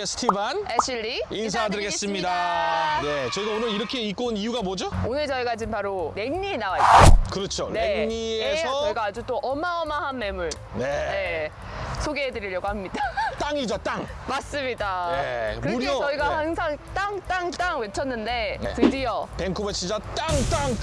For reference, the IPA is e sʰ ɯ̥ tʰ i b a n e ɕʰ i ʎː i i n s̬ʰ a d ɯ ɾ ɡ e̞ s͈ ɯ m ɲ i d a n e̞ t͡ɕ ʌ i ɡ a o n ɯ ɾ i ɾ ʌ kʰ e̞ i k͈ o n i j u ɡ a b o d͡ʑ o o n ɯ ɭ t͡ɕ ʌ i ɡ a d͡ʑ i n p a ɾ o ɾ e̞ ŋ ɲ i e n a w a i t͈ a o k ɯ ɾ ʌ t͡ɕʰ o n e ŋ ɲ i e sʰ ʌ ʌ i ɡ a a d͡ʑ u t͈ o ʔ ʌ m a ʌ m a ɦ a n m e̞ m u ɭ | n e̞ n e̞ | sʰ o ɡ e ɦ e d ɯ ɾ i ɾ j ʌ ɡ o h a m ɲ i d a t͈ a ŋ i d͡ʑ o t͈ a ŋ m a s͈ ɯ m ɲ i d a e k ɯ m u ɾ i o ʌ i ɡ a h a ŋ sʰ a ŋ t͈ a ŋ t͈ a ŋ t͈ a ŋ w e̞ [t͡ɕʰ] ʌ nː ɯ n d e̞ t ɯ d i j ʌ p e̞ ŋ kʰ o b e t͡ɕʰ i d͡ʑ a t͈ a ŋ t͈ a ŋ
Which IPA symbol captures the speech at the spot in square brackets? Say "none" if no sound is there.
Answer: t͡ɕʰ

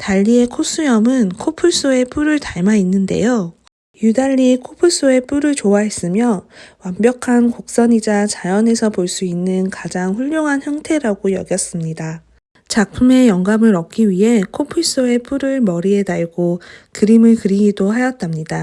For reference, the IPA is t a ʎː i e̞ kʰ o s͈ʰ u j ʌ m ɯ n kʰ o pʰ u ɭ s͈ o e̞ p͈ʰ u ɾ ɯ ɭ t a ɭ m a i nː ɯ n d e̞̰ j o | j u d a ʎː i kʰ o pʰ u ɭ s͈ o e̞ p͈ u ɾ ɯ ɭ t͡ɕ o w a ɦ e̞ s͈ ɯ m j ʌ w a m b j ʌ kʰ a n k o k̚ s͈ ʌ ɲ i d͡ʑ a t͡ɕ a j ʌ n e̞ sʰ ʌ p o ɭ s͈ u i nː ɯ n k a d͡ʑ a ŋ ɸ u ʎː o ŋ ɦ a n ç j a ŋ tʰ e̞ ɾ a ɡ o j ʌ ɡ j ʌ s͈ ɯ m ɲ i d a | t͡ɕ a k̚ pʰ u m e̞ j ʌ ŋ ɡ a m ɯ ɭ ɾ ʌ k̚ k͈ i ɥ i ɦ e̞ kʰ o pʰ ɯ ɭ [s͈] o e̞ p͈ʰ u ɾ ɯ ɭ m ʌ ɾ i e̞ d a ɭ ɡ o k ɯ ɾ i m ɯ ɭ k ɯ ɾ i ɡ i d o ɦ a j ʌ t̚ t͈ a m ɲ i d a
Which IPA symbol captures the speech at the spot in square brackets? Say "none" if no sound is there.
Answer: s͈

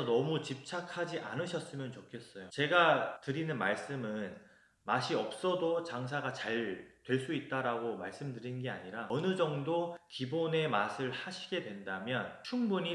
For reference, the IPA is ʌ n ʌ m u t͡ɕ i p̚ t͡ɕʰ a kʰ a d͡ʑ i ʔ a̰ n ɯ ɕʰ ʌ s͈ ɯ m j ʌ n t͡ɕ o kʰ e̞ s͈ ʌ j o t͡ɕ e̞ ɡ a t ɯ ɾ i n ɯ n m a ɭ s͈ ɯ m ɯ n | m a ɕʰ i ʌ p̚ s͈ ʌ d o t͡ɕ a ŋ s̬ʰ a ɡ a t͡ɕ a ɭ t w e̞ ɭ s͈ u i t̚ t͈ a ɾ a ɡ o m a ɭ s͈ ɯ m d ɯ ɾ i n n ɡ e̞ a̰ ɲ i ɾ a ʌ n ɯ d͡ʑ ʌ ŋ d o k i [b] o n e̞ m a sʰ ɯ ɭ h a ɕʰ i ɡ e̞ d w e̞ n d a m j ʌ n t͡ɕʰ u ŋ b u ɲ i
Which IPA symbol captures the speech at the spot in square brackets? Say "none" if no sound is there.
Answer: b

